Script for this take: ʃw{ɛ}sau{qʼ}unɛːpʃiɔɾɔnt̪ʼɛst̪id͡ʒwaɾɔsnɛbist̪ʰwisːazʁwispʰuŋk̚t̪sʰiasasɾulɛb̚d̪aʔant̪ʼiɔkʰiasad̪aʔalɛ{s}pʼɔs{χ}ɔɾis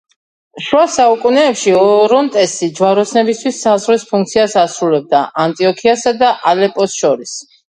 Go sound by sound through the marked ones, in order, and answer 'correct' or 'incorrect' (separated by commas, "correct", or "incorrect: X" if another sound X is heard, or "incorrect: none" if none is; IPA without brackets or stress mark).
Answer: incorrect: a, incorrect: kʼ, incorrect: none, incorrect: ʃ